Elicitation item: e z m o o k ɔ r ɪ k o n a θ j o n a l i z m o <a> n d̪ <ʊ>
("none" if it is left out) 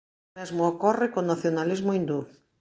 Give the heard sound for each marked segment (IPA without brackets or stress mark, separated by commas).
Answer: i, u